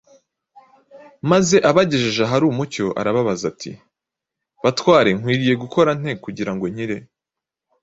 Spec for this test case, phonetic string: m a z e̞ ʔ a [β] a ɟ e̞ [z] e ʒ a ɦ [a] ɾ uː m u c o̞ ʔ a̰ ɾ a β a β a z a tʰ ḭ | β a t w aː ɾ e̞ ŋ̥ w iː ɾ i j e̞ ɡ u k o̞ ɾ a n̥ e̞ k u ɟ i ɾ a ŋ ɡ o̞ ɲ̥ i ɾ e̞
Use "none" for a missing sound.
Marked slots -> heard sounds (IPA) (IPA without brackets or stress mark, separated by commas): β, ʒ, a